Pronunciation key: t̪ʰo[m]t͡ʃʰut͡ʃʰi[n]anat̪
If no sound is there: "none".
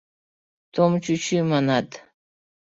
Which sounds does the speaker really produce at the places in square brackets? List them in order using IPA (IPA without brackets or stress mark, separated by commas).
m, m